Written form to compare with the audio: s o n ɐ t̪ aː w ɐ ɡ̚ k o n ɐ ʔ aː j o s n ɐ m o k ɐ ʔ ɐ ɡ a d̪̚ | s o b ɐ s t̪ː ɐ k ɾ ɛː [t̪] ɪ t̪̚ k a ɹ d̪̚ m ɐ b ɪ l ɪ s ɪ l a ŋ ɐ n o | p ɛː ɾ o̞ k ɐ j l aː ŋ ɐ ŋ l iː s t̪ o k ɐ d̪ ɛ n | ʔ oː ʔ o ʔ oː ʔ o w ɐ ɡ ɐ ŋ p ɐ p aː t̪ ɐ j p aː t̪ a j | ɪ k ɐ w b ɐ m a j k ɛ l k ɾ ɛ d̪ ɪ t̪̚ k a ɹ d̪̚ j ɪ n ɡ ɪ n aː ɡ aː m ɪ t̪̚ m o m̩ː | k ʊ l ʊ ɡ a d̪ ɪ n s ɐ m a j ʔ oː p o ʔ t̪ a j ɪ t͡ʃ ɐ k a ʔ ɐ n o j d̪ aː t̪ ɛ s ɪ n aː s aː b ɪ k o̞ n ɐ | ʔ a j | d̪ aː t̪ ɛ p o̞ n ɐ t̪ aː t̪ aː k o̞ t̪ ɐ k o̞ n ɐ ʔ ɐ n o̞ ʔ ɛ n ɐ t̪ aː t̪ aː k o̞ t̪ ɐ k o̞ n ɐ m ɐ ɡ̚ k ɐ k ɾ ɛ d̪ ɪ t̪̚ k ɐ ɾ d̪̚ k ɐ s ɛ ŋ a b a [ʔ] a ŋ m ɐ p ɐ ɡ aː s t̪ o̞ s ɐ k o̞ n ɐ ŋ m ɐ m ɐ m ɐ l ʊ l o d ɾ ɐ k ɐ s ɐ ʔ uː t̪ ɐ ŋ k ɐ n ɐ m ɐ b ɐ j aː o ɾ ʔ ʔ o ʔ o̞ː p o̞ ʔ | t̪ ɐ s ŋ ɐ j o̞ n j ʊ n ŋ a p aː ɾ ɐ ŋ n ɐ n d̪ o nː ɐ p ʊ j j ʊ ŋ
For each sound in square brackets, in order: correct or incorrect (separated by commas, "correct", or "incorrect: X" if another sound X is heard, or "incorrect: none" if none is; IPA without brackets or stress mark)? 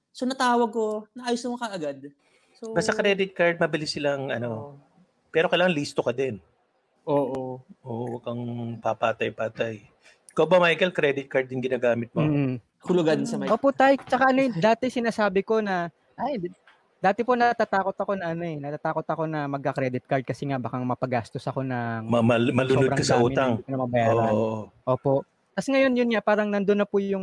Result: incorrect: d̪, incorrect: k